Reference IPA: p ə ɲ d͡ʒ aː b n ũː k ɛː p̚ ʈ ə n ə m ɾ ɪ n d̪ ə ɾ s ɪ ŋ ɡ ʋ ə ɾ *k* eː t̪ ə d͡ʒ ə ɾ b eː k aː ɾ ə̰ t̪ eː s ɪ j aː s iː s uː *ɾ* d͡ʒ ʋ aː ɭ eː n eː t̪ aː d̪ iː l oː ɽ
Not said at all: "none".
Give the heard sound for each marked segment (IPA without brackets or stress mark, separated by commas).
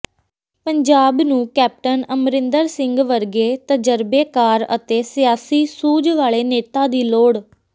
ɡ, none